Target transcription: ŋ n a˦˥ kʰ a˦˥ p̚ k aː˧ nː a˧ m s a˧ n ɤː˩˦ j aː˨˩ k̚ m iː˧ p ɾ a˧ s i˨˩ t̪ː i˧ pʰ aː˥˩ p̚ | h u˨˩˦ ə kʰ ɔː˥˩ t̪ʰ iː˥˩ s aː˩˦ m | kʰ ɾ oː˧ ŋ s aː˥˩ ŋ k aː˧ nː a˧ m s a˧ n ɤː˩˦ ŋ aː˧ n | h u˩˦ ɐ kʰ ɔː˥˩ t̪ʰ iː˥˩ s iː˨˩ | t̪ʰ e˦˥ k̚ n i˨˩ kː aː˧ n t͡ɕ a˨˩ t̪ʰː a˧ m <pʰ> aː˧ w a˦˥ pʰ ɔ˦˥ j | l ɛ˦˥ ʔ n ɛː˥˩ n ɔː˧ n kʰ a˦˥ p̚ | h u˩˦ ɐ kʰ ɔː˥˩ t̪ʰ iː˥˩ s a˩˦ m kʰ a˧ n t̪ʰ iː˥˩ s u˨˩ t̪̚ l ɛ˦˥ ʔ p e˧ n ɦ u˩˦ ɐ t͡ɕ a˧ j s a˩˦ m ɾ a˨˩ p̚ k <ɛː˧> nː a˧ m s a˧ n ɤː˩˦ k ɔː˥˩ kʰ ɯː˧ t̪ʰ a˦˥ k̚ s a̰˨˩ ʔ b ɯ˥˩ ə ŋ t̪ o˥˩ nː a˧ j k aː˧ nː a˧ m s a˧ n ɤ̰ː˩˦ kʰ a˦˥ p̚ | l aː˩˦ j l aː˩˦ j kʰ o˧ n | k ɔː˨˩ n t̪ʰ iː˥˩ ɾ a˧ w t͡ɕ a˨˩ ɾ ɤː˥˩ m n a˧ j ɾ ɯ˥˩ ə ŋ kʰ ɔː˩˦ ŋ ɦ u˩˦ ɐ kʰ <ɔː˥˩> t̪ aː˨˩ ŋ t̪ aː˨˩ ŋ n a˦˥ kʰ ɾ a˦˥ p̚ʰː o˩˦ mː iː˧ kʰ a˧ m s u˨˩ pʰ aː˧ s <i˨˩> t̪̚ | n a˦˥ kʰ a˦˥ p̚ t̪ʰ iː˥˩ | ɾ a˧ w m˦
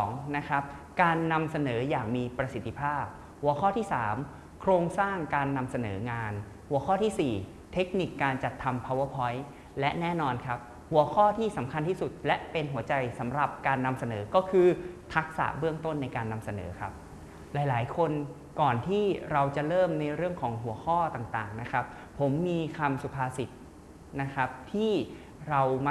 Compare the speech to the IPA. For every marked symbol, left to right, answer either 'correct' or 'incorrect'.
correct, incorrect: aː˧, correct, correct

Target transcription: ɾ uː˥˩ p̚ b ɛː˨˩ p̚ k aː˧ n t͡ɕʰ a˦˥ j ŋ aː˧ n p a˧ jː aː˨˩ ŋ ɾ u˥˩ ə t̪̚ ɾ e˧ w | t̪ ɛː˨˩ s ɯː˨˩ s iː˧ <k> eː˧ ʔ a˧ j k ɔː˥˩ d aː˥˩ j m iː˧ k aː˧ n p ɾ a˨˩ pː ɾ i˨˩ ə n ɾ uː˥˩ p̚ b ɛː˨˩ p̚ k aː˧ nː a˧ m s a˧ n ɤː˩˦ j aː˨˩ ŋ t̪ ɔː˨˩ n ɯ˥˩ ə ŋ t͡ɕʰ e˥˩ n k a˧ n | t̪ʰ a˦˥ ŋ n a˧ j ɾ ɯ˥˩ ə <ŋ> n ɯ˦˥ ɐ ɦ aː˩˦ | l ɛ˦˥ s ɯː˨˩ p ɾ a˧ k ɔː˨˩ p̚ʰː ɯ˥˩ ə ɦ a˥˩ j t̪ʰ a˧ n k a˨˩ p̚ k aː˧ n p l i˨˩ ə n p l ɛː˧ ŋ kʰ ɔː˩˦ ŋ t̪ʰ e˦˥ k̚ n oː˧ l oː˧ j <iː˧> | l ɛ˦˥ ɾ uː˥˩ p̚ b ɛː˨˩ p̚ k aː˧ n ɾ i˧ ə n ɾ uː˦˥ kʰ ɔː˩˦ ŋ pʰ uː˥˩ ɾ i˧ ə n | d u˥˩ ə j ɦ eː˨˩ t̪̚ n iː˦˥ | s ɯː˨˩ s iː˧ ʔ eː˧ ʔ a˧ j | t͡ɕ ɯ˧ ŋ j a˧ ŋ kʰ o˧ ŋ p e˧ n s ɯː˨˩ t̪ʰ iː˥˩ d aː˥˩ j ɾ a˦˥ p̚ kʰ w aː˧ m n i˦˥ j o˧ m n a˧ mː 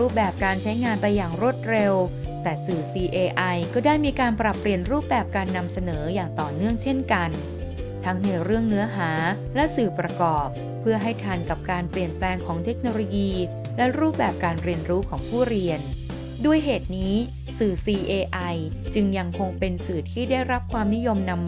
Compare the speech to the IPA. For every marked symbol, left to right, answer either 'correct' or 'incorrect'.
incorrect: ʔ, correct, correct

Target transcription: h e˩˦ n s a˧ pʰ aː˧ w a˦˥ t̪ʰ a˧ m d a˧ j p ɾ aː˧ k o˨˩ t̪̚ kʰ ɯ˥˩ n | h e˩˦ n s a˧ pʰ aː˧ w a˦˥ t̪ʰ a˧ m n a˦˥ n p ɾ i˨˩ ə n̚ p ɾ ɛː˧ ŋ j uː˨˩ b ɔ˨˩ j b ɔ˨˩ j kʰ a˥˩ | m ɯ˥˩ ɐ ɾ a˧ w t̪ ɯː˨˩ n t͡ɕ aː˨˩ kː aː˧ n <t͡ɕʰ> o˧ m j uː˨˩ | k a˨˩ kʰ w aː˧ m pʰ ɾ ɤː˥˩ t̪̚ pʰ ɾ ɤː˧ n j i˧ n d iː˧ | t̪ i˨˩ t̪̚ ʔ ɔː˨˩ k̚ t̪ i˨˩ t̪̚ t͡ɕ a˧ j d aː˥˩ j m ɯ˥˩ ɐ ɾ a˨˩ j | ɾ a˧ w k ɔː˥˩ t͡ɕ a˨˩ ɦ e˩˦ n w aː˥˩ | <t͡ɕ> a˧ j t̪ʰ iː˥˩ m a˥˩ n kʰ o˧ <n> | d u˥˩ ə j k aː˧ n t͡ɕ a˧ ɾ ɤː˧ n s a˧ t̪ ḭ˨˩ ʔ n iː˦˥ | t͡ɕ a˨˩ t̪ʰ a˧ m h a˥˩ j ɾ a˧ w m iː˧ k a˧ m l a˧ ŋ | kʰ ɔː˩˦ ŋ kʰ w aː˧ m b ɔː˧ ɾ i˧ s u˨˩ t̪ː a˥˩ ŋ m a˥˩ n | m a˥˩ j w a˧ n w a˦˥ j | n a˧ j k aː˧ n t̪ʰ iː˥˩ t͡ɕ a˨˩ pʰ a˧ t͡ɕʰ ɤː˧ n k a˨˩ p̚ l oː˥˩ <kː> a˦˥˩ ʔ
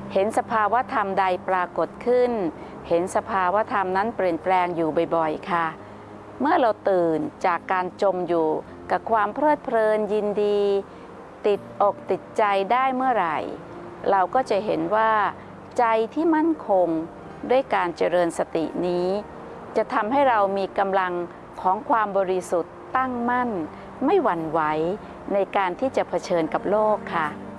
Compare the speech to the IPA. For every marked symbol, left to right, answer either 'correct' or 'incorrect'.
incorrect: t͡ɕ, correct, incorrect: ŋ, incorrect: kʰː

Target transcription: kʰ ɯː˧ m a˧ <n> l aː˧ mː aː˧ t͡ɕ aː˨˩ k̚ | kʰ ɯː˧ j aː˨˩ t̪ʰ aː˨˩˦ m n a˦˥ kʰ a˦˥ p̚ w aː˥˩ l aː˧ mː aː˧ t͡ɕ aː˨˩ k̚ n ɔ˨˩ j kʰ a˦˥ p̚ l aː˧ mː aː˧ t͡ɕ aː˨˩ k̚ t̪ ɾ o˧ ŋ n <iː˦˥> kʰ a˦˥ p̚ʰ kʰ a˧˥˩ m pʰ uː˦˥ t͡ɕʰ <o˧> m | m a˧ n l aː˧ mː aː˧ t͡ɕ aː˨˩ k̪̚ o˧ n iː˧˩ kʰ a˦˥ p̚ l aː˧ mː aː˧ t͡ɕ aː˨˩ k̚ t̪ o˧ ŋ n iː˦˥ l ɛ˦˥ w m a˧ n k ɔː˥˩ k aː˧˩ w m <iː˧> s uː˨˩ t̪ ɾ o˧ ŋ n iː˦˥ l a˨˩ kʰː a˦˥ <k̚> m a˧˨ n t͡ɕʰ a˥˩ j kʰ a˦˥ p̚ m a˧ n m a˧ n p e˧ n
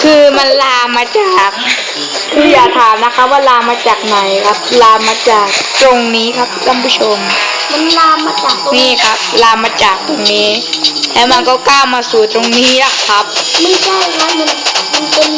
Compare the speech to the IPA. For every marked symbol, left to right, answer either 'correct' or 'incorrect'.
correct, correct, correct, incorrect: aː˧, incorrect: p̚

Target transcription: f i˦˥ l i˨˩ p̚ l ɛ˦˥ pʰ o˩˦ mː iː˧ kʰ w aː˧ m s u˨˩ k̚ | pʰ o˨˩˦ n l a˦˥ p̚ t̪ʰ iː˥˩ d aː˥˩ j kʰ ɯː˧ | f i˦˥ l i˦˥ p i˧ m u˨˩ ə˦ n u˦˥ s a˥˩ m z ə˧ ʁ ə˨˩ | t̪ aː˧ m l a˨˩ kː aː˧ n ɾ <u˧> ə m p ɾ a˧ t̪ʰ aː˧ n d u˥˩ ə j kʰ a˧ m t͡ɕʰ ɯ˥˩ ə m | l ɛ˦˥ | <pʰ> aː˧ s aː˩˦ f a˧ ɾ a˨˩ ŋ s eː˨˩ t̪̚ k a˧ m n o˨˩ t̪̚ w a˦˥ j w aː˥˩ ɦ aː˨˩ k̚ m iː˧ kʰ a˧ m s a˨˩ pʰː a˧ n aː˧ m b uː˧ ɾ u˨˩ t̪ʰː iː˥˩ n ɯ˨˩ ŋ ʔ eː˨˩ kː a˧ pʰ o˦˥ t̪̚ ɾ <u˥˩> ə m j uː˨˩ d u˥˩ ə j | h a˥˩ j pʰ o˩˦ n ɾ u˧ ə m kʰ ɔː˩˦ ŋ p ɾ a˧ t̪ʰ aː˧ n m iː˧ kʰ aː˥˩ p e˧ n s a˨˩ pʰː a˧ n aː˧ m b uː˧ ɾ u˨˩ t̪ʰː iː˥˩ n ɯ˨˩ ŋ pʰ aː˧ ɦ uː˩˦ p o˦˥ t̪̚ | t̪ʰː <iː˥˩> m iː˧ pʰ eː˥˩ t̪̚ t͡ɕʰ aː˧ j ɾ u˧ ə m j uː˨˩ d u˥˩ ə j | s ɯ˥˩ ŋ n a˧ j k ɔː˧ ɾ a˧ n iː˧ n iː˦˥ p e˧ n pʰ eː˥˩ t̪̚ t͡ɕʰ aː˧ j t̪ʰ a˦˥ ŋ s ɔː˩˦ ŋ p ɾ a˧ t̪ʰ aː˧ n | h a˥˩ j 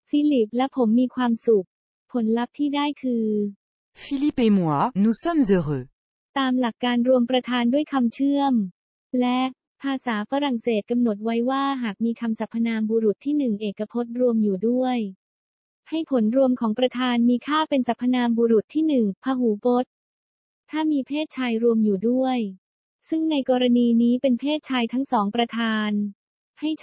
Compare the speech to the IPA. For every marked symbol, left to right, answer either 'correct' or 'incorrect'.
correct, correct, incorrect: u˧, incorrect: aː˥˩

